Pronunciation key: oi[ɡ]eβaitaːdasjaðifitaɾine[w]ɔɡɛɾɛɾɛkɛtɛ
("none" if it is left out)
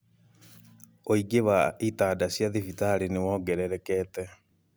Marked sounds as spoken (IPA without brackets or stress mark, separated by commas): ɡ, w